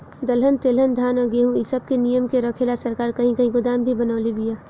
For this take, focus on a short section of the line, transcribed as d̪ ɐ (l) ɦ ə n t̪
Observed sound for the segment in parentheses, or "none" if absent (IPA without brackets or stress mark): l